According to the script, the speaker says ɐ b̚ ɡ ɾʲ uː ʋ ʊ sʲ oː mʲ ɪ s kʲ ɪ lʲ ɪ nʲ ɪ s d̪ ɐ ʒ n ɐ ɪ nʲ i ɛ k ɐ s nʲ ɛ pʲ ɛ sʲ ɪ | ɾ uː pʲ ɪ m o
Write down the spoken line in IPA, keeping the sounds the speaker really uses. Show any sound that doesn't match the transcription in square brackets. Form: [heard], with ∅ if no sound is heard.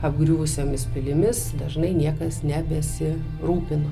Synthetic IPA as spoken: ɐ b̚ ɡ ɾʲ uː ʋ ʊ sʲ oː mʲ ɪ s [pʲ] ɪ lʲ ɪ [mʲ] ɪ s d̪ ɐ ʒ n ɐ ɪ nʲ i ɛ k ɐ s nʲ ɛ [bʲ] ɛ sʲ ɪ | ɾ uː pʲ ɪ [n] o